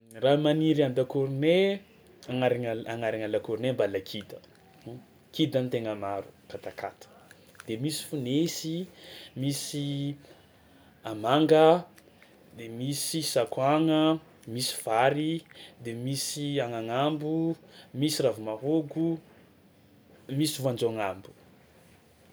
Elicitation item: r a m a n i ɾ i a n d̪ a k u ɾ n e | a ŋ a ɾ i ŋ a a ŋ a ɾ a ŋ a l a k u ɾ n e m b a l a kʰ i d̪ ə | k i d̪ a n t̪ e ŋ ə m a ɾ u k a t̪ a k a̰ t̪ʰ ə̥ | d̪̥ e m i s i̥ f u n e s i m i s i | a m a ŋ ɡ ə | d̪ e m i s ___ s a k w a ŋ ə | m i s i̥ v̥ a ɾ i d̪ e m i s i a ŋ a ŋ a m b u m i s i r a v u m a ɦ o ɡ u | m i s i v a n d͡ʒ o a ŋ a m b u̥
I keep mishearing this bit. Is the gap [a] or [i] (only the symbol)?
i